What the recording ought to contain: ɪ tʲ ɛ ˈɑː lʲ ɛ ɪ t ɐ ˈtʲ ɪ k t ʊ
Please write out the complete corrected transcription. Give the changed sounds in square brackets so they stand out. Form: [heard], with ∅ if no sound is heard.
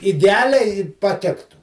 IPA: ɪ [dʲ] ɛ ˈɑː lʲ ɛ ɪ [p] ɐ ˈtʲ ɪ k t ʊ